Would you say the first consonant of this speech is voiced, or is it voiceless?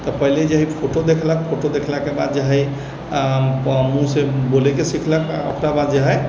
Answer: voiceless